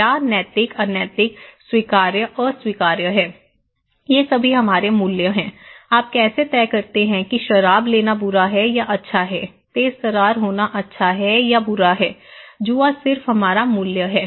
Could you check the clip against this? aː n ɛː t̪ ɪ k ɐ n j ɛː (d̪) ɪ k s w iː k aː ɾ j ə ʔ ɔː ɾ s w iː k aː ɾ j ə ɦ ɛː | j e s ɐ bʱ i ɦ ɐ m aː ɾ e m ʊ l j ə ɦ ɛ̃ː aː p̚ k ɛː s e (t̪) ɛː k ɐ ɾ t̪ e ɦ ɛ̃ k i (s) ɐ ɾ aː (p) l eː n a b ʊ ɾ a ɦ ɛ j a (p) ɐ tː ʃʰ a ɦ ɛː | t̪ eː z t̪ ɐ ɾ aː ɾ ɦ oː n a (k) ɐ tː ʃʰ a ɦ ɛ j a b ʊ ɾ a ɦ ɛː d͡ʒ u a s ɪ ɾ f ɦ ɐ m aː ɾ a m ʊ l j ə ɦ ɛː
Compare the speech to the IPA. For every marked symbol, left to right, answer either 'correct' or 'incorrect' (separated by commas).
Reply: incorrect, correct, incorrect, incorrect, incorrect, incorrect